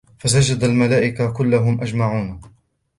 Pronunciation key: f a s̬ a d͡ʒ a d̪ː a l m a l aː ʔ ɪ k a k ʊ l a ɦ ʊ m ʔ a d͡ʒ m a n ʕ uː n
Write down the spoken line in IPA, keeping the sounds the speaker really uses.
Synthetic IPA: f a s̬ a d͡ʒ a d̪ a l m a l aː ʔ ɪ k a k ʊ lː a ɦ ʊ m ʔ a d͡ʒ m a ʕ uː n